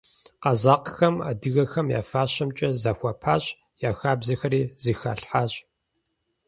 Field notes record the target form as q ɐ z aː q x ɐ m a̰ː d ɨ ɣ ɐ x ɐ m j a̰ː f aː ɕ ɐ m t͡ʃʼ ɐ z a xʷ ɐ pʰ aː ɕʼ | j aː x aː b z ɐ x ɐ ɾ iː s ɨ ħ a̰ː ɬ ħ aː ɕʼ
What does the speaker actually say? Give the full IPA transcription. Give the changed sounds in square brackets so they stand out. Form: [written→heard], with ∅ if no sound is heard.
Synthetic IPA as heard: q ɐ z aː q x ɐ m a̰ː d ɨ ɣ ɐ x ɐ m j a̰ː f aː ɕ ɐ m t͡ʃʼ ɐ z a xʷ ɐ pʰ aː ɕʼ | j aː x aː b z ɐ x ɐ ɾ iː [s→z] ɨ [ħ→x] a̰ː ɬ ħ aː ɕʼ